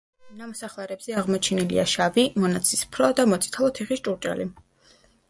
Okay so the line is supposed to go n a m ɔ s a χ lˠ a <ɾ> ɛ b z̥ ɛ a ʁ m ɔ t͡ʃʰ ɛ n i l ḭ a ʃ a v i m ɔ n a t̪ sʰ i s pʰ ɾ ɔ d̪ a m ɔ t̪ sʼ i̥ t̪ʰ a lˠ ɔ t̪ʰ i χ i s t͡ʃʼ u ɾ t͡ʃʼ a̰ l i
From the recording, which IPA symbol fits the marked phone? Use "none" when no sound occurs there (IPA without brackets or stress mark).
ɾ